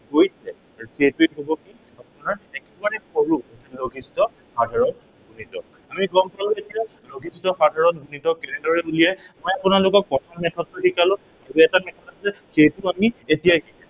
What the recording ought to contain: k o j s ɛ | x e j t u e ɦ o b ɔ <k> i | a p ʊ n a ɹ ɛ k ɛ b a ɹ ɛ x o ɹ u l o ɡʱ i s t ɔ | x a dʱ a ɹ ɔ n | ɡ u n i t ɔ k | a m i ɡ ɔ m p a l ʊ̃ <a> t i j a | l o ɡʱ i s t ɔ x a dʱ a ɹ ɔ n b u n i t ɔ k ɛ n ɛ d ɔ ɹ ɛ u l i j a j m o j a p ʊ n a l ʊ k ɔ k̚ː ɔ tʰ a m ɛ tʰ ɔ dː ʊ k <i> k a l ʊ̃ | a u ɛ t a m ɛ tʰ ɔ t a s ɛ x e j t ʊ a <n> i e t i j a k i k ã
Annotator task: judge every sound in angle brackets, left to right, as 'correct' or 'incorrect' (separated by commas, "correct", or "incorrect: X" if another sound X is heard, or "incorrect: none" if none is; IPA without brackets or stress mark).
correct, incorrect: e, correct, incorrect: m